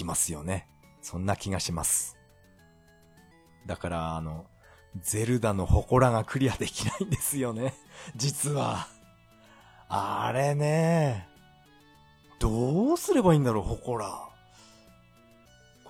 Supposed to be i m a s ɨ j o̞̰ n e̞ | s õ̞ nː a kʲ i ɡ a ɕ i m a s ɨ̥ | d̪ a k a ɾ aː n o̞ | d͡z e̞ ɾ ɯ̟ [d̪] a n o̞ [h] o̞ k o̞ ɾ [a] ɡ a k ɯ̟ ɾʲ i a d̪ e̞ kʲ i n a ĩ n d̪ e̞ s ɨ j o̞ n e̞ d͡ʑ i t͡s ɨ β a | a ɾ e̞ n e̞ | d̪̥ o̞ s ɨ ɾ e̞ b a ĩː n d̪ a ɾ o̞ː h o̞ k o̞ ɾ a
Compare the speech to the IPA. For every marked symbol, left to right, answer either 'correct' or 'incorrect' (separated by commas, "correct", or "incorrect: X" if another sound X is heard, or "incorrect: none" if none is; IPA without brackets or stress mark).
correct, correct, correct